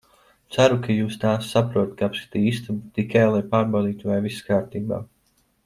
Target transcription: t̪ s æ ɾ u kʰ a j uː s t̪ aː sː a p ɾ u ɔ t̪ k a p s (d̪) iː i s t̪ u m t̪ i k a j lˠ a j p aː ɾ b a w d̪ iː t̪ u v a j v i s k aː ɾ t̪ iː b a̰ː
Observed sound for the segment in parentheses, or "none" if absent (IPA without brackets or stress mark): t̪